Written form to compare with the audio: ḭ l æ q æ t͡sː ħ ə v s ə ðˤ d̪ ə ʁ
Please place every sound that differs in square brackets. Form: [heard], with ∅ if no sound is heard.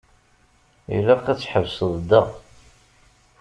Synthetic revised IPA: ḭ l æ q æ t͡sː ħ ə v s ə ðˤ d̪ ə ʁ